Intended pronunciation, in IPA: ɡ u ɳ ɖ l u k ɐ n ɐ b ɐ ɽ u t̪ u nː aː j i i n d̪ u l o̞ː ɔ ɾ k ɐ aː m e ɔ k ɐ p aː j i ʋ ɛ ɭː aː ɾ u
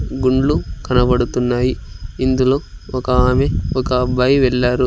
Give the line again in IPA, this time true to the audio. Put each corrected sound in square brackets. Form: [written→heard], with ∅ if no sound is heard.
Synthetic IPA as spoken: ɡ u ɳ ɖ l u k ɐ n ɐ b ɐ ɽ u t̪ u nː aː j i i n d̪ u l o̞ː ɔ [ɾ→∅] k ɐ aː m e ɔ k ɐ [p→b] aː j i ʋ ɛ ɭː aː ɾ u